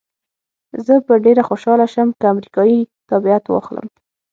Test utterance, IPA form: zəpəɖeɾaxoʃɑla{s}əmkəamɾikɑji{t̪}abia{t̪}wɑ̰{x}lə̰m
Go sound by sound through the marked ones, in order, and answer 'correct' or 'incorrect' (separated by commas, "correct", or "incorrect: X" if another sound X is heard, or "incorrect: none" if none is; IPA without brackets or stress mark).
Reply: incorrect: ʃ, correct, correct, correct